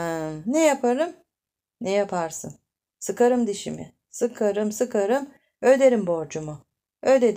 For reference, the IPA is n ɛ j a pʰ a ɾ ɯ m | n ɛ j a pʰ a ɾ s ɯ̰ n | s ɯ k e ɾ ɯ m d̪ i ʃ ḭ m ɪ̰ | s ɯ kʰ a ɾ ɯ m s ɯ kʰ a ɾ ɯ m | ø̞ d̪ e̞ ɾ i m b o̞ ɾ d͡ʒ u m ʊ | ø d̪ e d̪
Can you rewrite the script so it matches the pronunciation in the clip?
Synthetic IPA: n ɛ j a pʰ a ɾ ɯ m | n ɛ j a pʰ a ɾ s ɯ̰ n | s ɯ k a ɾ ɯ m d̪ i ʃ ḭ m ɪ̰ | s ɯ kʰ a ɾ ɯ m s ɯ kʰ a ɾ ɯ m | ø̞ d̪ e̞ ɾ i m b o̞ ɾ d͡ʒ u m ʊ | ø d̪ e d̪